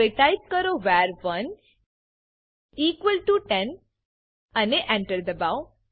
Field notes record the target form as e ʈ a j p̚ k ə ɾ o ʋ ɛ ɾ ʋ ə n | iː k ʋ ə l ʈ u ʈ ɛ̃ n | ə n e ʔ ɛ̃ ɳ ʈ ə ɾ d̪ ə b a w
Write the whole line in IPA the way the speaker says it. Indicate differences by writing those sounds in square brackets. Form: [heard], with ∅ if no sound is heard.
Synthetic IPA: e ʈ a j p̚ k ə ɾ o ʋ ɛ ɾ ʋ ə n | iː k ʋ ə l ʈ u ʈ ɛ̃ n | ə n e ʔ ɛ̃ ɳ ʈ ə ɾ d̪ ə b a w

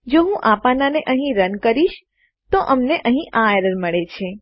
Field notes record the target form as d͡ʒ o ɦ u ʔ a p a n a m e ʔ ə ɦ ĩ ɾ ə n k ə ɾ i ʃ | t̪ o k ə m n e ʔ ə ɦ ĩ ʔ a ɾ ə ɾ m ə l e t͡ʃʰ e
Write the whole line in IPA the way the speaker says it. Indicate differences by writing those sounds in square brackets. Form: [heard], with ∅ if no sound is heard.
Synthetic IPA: d͡ʒ o ɦ [ũ] ʔ a p a n a [n] e ʔ ə ɦ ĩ ɾ ə n k ə ɾ i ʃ | t̪ o [ʔ] ə m n e ʔ ə ɦ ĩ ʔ a ɾ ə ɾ m ə [ɭ] e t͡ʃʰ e

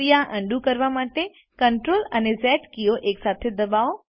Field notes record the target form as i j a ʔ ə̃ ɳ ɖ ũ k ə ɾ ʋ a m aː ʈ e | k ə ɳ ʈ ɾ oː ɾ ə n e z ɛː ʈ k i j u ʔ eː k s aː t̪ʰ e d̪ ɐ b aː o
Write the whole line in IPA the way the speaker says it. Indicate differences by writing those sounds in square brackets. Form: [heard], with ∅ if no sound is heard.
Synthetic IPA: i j a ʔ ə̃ ɳ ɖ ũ k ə ɾ ʋ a m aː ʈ e | k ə ɳ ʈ ɾ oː [l] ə n e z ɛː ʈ k i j [o] ʔ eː k s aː t̪ʰ e d̪ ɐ b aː o

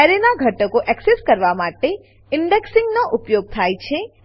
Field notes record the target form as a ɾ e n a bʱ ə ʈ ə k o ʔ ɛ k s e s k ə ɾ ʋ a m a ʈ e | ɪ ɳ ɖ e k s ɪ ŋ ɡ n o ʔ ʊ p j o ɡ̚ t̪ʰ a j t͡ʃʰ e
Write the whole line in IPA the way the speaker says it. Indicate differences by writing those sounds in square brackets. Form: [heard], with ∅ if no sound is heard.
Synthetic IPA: a ɾ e n a [ɡʱ] ə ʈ ə k o ʔ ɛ k s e s k ə ɾ ʋ a m a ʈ e | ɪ ɳ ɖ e k s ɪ ŋ ɡ n o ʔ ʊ p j o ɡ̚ t̪ʰ a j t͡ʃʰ e

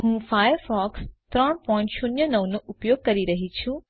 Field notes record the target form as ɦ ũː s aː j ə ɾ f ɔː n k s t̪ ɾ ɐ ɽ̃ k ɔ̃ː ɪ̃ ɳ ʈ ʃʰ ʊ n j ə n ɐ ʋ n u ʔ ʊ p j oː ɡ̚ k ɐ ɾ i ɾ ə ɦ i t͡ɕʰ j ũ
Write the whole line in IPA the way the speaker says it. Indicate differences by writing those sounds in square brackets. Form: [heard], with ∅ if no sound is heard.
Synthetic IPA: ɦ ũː [f] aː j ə ɾ f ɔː [∅] k s t̪ ɾ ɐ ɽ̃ [p] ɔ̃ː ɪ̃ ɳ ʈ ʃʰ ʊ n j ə n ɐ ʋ n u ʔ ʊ p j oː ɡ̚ k ɐ ɾ i ɾ [ɐ] ɦ i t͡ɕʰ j ũ

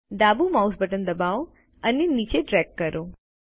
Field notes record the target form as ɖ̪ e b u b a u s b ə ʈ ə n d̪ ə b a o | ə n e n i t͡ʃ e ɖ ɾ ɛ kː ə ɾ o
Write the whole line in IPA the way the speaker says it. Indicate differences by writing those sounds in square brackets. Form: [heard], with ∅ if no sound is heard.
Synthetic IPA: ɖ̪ [a] b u [m] a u s b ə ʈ ə n d̪ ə b a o | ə n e n i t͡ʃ e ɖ ɾ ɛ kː ə ɾ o

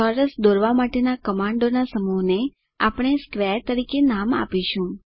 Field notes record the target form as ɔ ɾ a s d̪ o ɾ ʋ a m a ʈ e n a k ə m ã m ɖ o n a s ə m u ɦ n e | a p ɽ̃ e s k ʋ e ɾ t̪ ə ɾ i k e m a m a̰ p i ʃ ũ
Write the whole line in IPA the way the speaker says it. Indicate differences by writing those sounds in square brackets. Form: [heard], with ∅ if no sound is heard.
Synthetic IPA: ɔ ɾ [ə] s d̪ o ɾ ʋ a m a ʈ e n a k ə m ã [ɳ] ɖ o n a s ə m u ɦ n e | a p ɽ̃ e s k ʋ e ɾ t̪ ə ɾ i k e [n] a m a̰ p i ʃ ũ

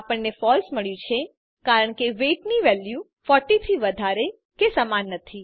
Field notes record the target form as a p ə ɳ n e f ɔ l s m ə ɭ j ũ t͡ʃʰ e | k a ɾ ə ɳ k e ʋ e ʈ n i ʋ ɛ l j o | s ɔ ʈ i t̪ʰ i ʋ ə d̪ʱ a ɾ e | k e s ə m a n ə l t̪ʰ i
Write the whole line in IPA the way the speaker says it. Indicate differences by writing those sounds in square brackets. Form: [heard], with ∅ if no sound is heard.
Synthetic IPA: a p ə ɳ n e f ɔ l s m ə ɭ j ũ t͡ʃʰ e | k a ɾ ə ɳ k e ʋ e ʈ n i ʋ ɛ l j [u] | [f] ɔ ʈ i t̪ʰ i ʋ ə d̪ʱ a ɾ e | k e s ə m a [nː] ə [∅] t̪ʰ i

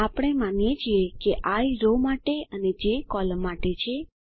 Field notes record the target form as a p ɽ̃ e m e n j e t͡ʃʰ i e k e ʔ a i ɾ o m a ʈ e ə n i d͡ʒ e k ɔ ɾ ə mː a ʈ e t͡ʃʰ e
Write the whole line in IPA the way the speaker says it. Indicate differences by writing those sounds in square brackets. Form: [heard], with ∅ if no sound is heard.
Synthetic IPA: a p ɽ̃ e m [a] n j e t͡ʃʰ i e k e ʔ a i ɾ o m a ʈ e ə n [e] d͡ʒ e k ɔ [l] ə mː a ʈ e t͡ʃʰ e

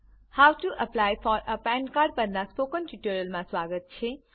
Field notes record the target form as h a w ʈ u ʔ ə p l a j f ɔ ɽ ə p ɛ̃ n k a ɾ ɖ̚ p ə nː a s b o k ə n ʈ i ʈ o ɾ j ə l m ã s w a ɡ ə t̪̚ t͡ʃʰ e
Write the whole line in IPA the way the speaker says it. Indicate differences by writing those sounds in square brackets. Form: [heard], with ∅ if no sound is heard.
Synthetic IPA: h a w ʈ u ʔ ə p l a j f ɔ [ɾ] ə p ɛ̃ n k a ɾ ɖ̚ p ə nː a s [p] o k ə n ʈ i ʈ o ɾ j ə l m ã s w a ɡ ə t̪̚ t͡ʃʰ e

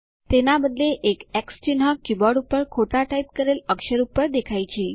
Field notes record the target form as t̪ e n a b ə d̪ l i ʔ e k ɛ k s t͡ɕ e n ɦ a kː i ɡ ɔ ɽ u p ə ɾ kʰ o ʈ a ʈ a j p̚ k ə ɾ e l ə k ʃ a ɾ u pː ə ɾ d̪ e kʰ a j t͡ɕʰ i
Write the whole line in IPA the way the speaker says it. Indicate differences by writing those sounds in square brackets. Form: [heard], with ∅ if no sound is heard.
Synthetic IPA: t̪ e n a b ə d̪ l [e] ʔ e k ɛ k s t͡ɕ [i] n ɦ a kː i [b] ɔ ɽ u p ə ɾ kʰ o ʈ a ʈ a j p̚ k ə ɾ e l ə k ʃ [ə] ɾ u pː ə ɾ d̪ e kʰ a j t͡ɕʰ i

